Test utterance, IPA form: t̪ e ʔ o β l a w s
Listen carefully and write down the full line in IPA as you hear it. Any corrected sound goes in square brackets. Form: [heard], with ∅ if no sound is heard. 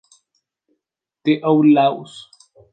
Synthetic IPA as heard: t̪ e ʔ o [w] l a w s